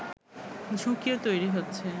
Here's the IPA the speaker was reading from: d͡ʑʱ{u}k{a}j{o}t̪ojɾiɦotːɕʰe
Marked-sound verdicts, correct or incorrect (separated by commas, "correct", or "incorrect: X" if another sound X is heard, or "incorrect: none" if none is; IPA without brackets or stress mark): correct, incorrect: i, correct